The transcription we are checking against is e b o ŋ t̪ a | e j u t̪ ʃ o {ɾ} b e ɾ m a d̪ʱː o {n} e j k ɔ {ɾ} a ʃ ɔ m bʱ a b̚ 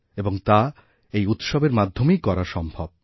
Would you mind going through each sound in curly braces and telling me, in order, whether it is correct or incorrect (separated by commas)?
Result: incorrect, incorrect, correct